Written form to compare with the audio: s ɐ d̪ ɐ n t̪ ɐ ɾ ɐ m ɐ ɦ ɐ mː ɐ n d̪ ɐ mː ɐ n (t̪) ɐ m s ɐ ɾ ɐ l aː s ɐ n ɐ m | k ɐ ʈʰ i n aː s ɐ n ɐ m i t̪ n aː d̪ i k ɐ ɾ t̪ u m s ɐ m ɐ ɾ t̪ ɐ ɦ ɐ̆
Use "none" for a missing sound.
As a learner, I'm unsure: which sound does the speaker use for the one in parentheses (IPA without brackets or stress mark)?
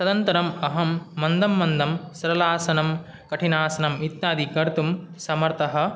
d̪